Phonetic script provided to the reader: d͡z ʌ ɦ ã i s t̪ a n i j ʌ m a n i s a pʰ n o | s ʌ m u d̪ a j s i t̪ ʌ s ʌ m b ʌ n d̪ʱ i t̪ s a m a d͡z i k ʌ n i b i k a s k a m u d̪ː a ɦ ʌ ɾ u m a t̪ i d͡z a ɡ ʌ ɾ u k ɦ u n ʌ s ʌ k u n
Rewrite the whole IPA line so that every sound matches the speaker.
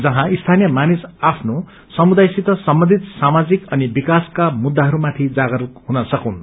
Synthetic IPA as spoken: d͡z ʌ ɦ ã i s t̪ʰ a n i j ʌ m a n i s a pʰ n o | s ʌ m u d̪ a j s i t̪ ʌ s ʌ m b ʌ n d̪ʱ i t̪ s a m a d͡z i k ʌ n i b i k a s k a m u d̪ː a ɦ ʌ ɾ u m a t̪ʰ i d͡z a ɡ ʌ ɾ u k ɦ u n ʌ s ʌ k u n